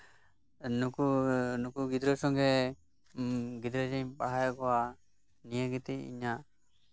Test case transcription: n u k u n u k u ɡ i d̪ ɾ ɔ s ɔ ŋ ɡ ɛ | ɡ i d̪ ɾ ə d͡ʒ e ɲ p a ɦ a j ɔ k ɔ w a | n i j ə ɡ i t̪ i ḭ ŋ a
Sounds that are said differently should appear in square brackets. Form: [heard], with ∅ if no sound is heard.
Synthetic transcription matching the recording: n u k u n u k u ɡ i d̪ ɾ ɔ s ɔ ŋ ɡ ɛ | ɡ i d̪ ɾ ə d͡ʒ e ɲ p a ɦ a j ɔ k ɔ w a | n i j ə ɡ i t̪ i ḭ [ɲ] a